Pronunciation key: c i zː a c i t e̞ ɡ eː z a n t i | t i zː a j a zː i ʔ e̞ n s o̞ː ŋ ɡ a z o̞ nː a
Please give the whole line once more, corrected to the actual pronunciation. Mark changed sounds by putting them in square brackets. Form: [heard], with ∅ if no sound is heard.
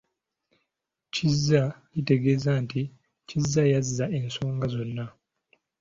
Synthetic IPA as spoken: c i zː a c i t e̞ ɡ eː z a n t i | [c] i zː a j a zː [a] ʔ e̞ n s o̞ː ŋ ɡ a z o̞ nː a